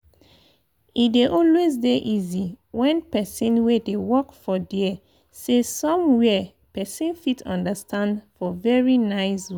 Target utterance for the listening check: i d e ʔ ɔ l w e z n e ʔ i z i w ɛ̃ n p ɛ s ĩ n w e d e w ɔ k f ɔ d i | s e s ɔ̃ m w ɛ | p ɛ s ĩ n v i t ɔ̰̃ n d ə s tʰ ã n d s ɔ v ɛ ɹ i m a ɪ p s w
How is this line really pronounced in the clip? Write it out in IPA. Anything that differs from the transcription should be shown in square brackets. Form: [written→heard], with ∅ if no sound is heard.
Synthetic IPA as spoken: i d e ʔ ɔ l w e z [n→d] e ʔ i z i w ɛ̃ n p ɛ s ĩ n w e d e w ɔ k f ɔ d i | s e s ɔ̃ m w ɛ | p ɛ s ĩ n [v→f] i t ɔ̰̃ n d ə s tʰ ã n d [s→f] ɔ v ɛ ɹ i [m→n] a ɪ [p→∅] s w